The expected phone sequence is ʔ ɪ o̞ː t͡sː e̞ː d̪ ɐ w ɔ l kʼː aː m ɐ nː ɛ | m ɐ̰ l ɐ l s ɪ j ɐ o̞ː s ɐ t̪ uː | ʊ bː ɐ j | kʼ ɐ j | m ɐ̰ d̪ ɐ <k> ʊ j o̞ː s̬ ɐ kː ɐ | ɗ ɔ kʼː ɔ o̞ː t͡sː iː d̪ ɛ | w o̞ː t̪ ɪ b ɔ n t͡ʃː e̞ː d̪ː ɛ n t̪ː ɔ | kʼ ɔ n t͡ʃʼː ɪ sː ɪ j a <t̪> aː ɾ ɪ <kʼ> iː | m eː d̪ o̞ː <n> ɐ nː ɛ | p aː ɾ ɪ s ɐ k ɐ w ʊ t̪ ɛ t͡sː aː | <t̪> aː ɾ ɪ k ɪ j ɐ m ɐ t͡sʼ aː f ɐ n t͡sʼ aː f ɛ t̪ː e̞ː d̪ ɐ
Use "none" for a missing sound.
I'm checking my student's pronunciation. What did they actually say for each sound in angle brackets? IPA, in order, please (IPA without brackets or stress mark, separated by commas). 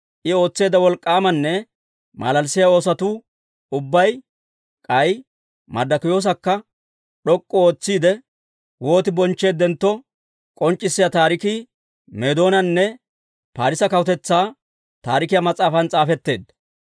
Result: k, t̪, k, n, t̪